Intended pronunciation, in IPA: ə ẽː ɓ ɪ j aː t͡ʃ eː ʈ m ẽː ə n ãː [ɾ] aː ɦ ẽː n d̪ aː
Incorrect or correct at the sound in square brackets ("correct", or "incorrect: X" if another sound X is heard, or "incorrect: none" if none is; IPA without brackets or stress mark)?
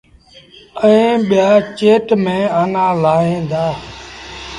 incorrect: l